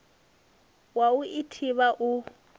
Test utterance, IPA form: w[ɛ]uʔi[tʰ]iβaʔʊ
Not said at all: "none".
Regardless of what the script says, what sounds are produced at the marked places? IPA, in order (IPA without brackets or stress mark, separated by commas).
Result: a, tʰ